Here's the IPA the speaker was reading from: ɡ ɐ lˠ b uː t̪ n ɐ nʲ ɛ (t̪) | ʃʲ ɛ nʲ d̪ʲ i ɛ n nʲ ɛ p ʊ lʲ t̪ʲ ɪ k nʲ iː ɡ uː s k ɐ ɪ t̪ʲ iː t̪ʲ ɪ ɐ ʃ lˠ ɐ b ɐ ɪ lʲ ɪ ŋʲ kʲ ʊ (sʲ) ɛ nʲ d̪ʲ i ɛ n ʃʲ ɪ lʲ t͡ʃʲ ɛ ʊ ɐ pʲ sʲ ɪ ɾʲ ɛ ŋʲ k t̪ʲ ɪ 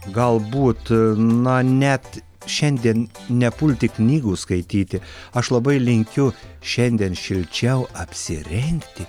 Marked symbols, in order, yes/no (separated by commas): yes, no